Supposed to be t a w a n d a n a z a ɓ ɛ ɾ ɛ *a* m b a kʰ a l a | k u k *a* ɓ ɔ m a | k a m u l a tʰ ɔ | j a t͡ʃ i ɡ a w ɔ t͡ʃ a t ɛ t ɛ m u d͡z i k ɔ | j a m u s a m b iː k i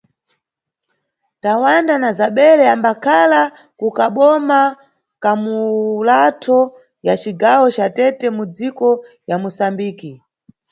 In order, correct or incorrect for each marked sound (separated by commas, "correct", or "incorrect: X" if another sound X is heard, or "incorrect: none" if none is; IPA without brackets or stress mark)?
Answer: correct, correct